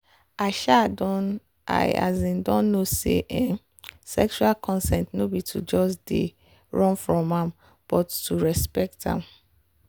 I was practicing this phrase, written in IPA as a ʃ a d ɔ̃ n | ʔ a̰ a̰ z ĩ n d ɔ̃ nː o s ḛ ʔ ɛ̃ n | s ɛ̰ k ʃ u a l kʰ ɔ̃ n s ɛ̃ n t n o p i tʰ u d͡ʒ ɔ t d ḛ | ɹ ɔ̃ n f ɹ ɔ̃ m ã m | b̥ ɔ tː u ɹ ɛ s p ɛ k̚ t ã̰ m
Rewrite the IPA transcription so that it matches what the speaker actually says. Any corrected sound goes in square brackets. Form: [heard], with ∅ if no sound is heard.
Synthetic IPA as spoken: a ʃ a d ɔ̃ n | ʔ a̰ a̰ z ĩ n d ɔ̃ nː o s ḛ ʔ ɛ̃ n | s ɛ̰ k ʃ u a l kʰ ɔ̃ n s ɛ̃ n t n o [b] i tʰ u d͡ʒ ɔ [s] d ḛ | ɹ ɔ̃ n f ɹ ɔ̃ m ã m | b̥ ɔ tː u ɹ ɛ s p ɛ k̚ t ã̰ m